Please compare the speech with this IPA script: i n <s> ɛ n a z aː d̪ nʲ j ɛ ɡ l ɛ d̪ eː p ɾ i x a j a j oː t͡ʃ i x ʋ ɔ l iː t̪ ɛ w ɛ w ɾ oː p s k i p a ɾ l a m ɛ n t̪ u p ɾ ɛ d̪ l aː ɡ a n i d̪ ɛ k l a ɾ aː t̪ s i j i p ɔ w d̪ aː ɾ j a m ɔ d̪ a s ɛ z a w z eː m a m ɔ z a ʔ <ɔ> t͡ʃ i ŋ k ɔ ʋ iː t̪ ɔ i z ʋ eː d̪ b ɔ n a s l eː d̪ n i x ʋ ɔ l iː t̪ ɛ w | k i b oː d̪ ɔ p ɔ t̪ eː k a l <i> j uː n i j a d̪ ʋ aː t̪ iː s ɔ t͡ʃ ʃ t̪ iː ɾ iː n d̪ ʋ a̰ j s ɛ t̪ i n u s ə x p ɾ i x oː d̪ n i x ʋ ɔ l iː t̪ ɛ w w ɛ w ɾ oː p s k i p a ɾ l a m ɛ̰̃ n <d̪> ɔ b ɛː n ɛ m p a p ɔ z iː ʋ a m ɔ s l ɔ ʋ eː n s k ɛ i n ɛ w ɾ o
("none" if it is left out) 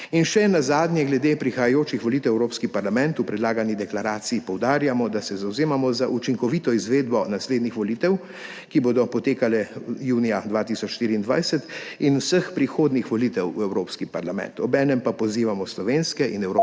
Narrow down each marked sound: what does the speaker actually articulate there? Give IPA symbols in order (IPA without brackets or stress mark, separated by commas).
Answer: ʃ, u, ɛ, t̪